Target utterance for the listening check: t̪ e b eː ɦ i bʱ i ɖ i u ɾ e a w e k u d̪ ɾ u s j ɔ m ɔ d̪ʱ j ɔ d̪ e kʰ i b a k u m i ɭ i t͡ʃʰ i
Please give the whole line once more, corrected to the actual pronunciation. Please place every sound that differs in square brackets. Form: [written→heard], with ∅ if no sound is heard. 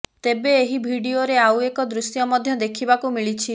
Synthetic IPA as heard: t̪ e b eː ɦ i bʱ i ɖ i [u→o] ɾ e a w e k [u→ɔ] d̪ ɾ u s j ɔ m ɔ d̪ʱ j ɔ d̪ e kʰ i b a k u m i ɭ i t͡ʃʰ i